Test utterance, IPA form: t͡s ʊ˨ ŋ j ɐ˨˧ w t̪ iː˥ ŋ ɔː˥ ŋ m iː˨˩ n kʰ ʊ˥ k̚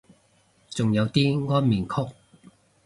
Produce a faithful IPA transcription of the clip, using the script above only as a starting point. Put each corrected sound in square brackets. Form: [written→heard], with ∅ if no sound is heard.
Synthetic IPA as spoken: t͡s ʊ˨ ŋ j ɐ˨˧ w t̪ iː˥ ŋ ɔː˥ [ŋ→n] m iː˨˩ n kʰ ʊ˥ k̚